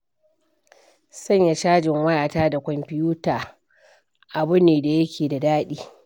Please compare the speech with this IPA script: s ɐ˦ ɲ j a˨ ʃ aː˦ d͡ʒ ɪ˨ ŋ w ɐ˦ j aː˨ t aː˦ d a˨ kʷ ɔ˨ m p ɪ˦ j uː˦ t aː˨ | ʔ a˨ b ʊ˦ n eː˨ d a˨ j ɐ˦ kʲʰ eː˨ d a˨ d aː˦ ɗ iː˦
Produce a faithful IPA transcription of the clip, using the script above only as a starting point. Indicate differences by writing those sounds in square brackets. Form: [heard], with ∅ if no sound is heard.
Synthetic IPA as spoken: s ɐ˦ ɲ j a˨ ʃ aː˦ d͡ʒ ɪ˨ ŋ w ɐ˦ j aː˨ t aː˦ d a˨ kʷ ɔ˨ m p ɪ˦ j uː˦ t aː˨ | ʔ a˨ b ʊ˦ n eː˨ d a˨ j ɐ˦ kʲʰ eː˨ d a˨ d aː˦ ɗ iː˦